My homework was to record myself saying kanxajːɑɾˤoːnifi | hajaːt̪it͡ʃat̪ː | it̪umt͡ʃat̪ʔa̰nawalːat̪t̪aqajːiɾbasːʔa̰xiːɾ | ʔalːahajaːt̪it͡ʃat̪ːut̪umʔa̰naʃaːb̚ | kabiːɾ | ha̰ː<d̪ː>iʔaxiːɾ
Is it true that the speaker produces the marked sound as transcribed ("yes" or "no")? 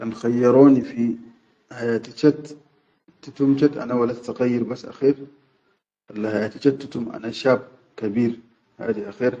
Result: no